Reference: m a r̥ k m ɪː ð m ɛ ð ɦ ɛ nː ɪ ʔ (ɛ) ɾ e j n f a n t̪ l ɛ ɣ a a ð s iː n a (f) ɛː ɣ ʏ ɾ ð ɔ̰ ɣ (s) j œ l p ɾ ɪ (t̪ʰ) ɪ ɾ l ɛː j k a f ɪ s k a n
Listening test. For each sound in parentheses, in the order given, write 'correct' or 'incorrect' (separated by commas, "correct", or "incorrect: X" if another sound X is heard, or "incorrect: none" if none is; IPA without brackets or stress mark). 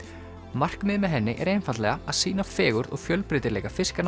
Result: correct, correct, incorrect: f, incorrect: t̪